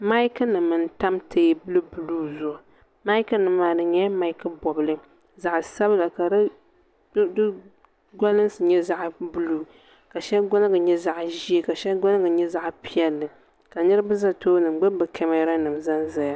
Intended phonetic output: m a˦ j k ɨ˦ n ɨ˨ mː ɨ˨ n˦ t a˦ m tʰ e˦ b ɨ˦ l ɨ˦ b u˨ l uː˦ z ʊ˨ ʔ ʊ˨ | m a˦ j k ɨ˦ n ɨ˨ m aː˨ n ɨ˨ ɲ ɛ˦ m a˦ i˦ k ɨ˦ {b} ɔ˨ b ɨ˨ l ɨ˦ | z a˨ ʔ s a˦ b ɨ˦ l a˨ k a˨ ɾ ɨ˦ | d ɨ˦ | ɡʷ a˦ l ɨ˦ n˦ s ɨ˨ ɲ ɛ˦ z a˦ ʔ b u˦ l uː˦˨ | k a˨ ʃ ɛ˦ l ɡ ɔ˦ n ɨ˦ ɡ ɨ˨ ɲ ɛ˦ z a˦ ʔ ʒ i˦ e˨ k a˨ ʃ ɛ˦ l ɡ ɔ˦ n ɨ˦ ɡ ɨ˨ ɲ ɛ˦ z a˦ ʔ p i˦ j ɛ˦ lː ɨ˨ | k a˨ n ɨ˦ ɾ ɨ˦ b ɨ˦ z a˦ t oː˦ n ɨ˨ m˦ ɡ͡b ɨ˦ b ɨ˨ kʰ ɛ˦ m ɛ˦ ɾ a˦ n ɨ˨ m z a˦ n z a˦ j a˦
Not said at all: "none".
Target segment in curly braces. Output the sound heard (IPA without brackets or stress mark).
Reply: b